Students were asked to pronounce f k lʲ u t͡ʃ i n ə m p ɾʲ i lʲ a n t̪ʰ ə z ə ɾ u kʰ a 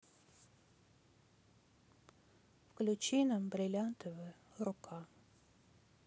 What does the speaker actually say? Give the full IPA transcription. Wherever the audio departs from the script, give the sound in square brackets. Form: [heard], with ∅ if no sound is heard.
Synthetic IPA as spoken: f k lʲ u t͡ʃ i n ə m [b] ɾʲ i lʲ a n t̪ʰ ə [v] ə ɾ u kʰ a